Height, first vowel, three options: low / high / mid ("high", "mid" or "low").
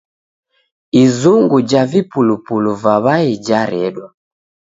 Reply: high